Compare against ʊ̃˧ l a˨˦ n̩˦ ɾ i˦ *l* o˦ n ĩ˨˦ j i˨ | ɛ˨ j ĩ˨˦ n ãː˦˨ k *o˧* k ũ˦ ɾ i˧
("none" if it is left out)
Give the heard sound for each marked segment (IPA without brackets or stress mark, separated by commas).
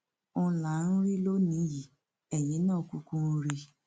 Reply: l, u˧